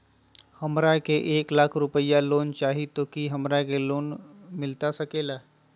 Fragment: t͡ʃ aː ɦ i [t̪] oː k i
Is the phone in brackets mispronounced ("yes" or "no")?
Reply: no